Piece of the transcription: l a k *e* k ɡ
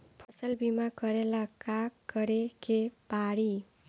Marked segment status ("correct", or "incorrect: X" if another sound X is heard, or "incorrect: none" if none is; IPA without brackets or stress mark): incorrect: a